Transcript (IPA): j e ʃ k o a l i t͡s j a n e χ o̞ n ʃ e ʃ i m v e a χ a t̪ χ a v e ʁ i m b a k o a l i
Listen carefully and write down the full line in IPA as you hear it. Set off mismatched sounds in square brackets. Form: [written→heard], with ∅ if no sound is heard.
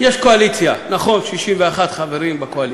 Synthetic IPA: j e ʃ k o a l i t͡s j a n [e→a] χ o̞ n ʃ [e→i] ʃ i m v e a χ a t̪ χ a v e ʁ i m b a k o a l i

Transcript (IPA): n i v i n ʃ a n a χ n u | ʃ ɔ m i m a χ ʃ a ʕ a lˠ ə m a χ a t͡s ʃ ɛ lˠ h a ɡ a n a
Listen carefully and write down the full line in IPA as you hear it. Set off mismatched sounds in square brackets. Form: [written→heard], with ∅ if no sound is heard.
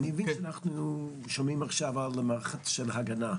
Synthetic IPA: n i v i n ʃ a n a χ n u | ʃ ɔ m i m a χ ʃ a [ʕ→v] a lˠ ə m a χ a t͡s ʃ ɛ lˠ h a ɡ a n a

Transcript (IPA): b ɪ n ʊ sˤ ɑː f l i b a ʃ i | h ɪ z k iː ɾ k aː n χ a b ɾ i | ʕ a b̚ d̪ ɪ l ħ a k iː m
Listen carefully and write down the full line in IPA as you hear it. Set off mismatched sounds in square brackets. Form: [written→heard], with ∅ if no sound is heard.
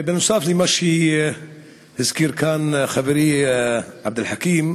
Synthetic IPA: b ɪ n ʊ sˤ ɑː f l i [b→m] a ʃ i | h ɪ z k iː ɾ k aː n [χ→x] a b ɾ i | ʕ a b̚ d̪ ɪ l ħ a k iː m

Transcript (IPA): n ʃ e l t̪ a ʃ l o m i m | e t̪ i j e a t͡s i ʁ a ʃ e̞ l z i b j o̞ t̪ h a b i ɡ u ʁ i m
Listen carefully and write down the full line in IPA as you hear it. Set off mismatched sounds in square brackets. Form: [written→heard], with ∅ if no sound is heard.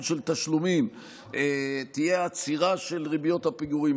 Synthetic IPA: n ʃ e l t̪ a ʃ l [o→u] m i m | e t̪ i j e a t͡s i ʁ a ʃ e̞ l [z→ʁ] i b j o̞ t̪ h a [b→p] i ɡ u ʁ i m

